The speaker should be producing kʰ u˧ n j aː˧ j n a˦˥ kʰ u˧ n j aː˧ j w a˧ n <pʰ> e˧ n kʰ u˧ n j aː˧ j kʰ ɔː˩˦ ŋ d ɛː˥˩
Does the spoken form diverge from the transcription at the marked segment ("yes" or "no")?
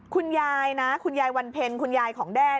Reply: no